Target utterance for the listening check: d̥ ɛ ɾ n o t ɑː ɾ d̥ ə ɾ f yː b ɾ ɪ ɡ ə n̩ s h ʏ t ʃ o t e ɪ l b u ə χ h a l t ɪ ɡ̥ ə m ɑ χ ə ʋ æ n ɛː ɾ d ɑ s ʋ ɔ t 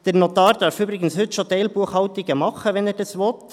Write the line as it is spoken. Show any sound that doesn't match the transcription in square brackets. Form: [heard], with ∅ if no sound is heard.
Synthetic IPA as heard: d̥ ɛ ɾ n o t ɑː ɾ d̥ [ɑ] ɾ f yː b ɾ ɪ ɡ ə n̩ s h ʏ t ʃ o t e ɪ l b u ə χ h [ɑ] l t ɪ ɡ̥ ə m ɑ χ ə ʋ [ɛ] n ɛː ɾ d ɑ s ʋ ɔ t